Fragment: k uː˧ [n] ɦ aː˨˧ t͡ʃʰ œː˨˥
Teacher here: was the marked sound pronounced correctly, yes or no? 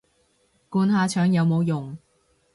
yes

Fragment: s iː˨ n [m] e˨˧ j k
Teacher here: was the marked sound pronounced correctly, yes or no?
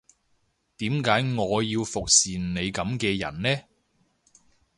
no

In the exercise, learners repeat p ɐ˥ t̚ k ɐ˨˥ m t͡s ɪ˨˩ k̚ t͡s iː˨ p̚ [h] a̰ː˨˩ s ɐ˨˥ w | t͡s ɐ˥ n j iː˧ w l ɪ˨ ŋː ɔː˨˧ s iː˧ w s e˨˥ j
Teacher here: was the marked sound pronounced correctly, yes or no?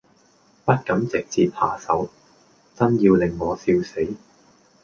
yes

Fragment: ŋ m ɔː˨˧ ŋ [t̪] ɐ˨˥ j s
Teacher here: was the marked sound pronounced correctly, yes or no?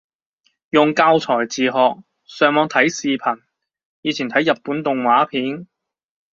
no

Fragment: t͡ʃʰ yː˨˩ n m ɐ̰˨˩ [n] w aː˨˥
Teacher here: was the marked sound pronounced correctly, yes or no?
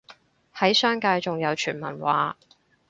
yes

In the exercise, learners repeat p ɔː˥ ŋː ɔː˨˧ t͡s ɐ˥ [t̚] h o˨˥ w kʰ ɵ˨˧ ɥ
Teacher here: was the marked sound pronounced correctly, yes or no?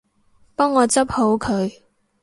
no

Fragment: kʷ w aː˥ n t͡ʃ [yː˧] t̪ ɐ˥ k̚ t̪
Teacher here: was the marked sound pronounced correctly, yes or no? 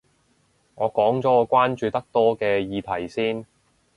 yes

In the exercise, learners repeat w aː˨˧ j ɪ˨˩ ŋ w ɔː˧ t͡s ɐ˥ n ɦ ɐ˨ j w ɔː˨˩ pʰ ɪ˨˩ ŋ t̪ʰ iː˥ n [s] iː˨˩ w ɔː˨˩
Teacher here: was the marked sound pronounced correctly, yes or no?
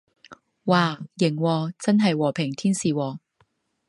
yes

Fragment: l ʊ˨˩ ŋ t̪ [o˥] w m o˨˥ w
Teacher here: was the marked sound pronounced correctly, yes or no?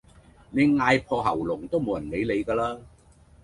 yes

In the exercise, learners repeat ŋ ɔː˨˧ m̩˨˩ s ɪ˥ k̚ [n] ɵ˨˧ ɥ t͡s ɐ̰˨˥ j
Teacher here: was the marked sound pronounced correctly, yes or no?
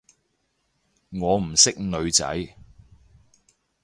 yes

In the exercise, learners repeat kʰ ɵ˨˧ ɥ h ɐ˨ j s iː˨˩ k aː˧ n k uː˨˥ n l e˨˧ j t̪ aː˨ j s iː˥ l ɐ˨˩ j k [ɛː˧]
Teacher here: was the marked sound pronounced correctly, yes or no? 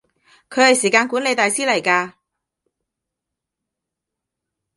no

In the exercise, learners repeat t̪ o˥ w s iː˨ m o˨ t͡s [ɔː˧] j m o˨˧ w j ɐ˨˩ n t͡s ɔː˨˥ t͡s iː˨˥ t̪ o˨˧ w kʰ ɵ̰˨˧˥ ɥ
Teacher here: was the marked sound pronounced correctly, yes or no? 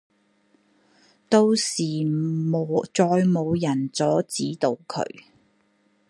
yes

